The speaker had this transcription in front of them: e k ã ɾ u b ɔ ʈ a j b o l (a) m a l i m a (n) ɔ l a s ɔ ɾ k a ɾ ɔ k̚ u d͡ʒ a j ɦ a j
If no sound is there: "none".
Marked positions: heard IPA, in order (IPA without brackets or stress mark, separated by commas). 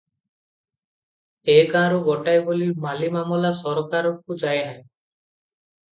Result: i, m